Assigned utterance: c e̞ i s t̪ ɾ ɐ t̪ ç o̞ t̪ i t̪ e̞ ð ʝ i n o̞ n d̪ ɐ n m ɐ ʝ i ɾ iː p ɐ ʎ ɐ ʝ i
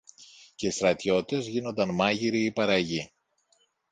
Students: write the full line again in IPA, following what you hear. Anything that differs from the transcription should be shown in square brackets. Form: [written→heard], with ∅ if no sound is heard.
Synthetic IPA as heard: c e̞ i s t̪ ɾ ɐ t̪ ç o̞ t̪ i t̪ e̞ [ð→z] ʝ i n o̞ n d̪ ɐ n m ɐ ʝ i ɾ iː p ɐ [ʎ→ɾ] ɐ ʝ i